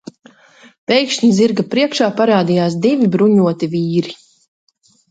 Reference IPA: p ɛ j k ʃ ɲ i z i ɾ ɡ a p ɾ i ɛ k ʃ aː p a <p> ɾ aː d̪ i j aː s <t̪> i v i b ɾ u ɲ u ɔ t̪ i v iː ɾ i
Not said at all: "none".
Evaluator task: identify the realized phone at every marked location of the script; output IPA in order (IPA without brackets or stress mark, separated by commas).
none, d̪